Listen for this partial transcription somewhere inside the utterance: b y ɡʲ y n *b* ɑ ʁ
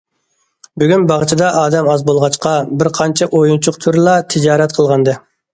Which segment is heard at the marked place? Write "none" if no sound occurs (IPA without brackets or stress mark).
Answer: b